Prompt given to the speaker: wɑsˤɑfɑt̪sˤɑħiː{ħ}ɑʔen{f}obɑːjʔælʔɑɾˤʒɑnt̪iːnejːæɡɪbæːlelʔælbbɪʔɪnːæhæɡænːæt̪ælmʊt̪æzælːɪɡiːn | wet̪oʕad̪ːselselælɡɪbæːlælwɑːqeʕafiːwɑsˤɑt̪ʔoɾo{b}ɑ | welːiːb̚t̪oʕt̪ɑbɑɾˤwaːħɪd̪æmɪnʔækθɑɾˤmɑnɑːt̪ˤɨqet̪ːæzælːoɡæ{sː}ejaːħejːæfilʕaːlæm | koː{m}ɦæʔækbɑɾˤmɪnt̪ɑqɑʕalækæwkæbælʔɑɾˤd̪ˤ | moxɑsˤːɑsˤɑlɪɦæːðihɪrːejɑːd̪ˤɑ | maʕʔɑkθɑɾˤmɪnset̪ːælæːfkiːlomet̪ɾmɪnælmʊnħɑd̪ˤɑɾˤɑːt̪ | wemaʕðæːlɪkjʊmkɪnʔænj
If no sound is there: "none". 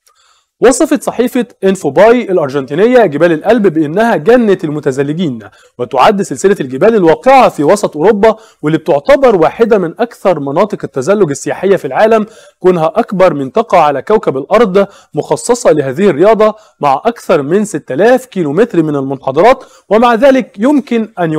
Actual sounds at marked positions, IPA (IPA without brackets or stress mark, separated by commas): f, f, bː, sː, n